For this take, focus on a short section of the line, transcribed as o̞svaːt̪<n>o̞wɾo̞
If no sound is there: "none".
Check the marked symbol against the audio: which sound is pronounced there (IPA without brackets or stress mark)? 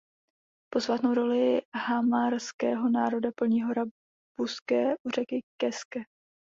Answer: n